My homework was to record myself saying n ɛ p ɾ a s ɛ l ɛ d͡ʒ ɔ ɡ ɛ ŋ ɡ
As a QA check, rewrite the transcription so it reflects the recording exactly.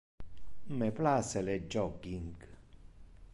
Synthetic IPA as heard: m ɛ p l a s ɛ l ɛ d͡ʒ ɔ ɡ i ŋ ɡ